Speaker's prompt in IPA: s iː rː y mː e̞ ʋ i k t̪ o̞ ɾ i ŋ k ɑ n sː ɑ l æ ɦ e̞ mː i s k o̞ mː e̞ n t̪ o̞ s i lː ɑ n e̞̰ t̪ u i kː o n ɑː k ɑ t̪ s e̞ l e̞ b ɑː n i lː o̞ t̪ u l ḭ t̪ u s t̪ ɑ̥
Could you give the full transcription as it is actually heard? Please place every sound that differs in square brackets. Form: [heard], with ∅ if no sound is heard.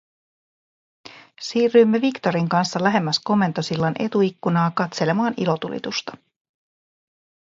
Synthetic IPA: s iː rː y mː e̞ ʋ i k t̪ o̞ ɾ i ŋ k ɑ n sː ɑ l æ ɦ e̞ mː [æ] s k o̞ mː e̞ n t̪ o̞ s i lː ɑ n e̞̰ t̪ u i kː [u] n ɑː k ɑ t̪ s e̞ l e̞ [m] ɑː n i [l] o̞ t̪ u l ḭ t̪ u s t̪ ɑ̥